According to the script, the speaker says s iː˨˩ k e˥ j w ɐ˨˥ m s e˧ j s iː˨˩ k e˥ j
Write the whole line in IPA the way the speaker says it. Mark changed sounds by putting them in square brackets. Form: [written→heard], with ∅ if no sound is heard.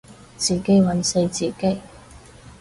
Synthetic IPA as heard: [s→t͡s] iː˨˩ k e˥ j w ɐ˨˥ [m→n] s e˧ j [s→t͡s] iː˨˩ k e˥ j